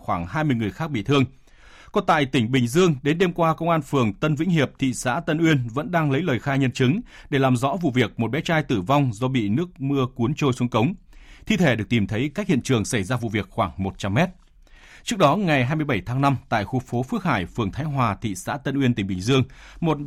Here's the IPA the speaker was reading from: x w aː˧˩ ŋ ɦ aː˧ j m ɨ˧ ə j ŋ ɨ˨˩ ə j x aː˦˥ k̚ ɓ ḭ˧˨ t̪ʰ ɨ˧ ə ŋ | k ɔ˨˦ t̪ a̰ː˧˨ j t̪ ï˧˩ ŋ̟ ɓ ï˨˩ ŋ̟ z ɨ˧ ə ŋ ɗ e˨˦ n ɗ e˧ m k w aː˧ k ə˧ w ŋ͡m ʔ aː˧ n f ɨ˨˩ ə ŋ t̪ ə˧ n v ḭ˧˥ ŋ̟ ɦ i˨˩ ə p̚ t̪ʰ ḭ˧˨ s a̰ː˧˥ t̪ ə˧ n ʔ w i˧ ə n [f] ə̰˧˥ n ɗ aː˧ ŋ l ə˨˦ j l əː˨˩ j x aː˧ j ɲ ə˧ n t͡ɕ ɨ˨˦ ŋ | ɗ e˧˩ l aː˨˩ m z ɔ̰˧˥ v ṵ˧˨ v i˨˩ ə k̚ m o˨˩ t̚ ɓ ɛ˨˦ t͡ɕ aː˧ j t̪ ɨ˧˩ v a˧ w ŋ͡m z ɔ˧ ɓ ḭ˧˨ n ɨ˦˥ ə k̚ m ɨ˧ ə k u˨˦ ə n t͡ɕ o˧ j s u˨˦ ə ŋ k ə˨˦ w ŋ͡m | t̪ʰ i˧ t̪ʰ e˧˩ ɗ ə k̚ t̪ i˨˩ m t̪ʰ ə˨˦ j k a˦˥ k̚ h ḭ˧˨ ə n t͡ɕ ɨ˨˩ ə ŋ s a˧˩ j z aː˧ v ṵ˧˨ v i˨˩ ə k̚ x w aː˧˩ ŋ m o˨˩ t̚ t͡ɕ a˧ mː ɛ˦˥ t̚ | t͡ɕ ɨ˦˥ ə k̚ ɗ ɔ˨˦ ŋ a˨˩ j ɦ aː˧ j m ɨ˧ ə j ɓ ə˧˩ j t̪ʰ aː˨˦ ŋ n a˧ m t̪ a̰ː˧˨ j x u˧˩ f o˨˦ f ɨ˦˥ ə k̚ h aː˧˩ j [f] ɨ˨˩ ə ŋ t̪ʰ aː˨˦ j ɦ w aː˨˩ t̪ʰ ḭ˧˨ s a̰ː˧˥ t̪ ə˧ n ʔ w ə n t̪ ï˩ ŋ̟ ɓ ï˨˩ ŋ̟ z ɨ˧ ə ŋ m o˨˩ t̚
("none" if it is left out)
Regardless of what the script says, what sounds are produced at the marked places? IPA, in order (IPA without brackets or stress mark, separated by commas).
v, f